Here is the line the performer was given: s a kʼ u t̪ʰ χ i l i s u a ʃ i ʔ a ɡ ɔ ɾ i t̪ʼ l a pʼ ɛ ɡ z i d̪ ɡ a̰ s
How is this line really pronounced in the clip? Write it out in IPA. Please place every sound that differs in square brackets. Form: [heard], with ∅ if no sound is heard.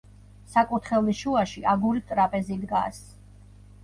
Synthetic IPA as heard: s a kʼ u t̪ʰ χ [ɛ] l i [ʃ] u a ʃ i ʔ a ɡ [u] ɾ i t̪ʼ [ɾ] a pʼ ɛ [∅] z i d̪ ɡ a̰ s